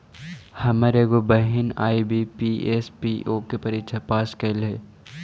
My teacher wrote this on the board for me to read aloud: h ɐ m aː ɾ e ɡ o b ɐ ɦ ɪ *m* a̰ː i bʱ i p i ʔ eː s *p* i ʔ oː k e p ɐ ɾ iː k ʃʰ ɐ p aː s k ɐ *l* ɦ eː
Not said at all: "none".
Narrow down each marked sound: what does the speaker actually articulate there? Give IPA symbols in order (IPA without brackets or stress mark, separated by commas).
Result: n, p, l